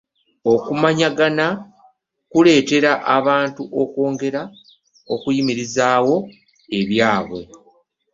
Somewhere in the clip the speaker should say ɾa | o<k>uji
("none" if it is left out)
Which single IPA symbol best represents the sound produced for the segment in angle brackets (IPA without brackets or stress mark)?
k